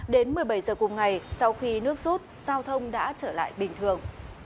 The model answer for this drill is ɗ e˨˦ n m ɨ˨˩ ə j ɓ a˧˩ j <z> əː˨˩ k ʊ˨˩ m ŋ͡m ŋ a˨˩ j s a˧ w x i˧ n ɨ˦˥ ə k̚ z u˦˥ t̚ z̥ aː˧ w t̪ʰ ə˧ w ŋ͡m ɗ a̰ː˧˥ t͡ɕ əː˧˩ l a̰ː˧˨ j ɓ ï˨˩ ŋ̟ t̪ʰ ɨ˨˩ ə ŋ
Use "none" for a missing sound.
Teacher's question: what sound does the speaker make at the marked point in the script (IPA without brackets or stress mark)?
z